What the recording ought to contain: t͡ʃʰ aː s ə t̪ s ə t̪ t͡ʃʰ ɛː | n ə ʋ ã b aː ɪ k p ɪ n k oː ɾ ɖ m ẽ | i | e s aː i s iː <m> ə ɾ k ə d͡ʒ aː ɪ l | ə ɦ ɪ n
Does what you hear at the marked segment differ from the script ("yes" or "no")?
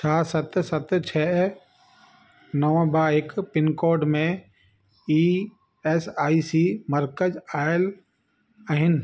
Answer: no